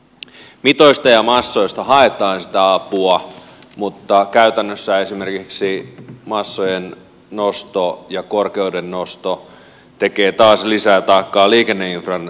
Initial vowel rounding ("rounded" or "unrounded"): unrounded